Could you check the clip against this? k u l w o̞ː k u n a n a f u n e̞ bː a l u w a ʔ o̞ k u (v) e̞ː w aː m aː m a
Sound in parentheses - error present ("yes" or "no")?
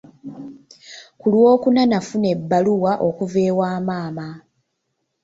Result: no